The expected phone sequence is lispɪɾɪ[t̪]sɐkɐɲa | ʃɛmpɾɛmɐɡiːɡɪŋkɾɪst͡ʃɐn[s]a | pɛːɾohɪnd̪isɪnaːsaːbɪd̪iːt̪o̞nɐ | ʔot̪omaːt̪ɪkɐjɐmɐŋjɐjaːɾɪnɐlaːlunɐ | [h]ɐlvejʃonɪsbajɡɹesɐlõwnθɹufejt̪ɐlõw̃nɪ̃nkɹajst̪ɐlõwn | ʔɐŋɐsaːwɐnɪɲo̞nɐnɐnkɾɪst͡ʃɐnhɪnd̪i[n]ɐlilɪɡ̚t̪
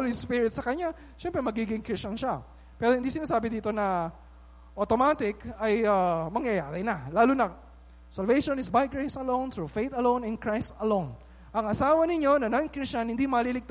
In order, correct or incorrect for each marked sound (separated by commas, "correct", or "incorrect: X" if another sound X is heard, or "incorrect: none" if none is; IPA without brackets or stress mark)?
correct, incorrect: ʃ, incorrect: s, incorrect: m